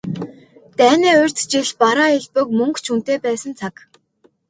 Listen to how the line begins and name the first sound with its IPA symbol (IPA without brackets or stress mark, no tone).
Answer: t̪